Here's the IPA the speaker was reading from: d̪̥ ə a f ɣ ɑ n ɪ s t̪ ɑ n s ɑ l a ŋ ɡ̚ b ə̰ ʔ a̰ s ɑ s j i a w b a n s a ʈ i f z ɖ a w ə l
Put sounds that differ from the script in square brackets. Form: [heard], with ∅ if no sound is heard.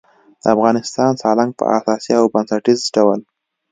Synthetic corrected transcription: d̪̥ ə a f ɣ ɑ n ɪ s t̪ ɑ n s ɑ l a ŋ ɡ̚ [p] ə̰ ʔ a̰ s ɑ s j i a w b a n s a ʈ i [∅] z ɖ a w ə l